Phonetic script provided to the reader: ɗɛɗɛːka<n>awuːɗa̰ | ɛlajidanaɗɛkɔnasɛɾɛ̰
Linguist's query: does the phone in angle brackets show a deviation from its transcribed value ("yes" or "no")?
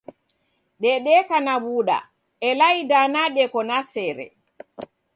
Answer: no